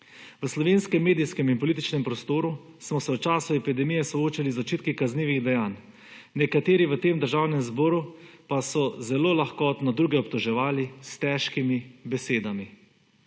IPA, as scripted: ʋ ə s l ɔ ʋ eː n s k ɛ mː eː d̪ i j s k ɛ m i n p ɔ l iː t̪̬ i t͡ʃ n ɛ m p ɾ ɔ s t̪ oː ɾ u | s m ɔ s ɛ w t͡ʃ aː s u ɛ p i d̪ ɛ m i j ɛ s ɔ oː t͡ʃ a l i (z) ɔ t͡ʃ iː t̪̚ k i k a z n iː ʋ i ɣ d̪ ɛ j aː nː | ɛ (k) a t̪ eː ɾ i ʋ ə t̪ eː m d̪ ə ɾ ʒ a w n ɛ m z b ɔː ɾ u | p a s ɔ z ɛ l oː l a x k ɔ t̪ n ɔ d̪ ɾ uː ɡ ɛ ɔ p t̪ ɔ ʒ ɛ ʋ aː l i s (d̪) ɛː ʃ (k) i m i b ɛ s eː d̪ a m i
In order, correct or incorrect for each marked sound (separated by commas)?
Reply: correct, correct, incorrect, correct